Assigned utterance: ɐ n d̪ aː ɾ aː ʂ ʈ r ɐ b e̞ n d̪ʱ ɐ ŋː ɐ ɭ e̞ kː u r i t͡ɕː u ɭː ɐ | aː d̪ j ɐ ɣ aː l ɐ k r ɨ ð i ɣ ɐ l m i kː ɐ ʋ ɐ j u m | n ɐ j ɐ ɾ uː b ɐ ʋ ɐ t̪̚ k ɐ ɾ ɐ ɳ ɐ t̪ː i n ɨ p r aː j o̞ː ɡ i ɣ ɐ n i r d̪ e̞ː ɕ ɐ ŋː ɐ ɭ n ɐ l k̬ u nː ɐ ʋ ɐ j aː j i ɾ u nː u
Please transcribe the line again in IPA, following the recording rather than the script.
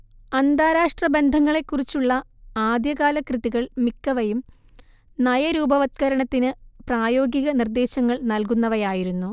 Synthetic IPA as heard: ɐ n d̪ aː ɾ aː ʂ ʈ r ɐ b e̞ n d̪ʱ ɐ ŋː ɐ ɭ e̞ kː u r i t͡ɕː u ɭː ɐ | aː d̪ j ɐ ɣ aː l ɐ k r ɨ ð i ɣ ɐ ɭ m i kː ɐ ʋ ɐ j u m | n ɐ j ɐ ɾ uː b ɐ ʋ ɐ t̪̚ k ɐ ɾ ɐ ɳ ɐ t̪ː i n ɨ p r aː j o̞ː ɡ i ɣ ɐ n i r d̪ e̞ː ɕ ɐ ŋː ɐ ɭ n ɐ l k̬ u nː ɐ ʋ ɐ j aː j i ɾ u nː u